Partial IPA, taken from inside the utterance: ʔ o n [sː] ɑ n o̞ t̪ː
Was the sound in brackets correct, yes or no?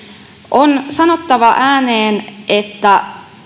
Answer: no